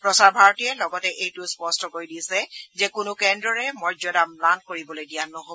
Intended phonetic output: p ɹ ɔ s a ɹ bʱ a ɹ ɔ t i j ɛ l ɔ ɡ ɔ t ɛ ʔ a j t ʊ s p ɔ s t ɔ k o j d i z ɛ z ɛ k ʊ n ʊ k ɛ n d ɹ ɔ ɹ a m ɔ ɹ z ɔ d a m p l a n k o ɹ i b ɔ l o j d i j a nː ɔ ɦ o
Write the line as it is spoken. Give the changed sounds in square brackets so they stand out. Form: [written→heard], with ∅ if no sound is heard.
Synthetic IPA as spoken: p ɹ ɔ s a ɹ bʱ a ɹ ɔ t i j ɛ l ɔ ɡ ɔ t ɛ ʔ [a→e] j t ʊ s p ɔ s t ɔ k o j d i [z→s] ɛ z ɛ k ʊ n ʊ k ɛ n d ɹ ɔ ɹ [a→ɛ] m ɔ ɹ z ɔ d a m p l a n k o ɹ i b ɔ l o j d i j a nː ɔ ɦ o